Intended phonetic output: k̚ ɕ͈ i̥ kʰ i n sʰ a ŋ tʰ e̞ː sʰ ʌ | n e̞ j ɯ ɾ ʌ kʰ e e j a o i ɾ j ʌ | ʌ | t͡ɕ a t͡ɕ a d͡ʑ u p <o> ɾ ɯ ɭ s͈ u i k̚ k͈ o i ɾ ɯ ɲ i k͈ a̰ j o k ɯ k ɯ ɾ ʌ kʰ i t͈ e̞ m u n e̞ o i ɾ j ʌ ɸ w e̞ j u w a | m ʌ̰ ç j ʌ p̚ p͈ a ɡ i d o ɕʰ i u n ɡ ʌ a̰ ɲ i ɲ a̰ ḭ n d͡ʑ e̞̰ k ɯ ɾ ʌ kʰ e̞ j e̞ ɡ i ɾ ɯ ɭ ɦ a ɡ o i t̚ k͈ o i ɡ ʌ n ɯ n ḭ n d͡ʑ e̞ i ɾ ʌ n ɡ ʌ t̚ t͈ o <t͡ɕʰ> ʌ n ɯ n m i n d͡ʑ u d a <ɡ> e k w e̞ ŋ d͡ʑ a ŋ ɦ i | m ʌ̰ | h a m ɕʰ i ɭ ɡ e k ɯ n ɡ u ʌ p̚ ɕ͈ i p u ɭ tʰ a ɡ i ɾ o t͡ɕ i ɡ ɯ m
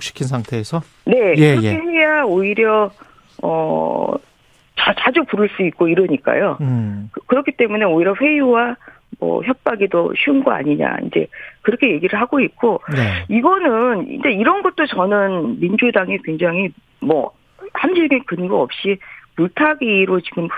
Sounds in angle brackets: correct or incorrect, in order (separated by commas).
incorrect, incorrect, incorrect